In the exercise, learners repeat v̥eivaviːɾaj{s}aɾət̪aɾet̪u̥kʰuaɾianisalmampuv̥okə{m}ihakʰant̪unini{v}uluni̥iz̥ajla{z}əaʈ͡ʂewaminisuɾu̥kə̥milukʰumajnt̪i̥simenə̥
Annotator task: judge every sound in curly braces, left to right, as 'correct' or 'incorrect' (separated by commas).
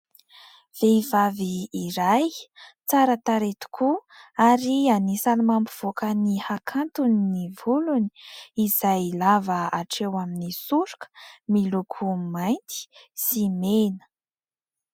incorrect, incorrect, correct, incorrect